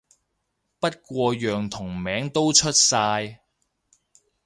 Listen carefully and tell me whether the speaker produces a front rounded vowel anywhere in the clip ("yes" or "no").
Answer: yes